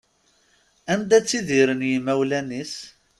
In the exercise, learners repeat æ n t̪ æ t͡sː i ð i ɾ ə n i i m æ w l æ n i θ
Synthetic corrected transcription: æ n d̪ æ t͡sː i ð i ɾ ə n j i m æ w l æ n i s